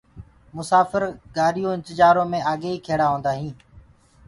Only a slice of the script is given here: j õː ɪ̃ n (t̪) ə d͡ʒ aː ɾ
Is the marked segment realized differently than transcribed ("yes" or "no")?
no